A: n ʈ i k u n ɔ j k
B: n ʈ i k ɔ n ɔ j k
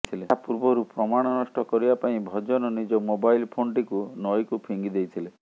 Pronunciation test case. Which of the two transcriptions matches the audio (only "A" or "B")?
A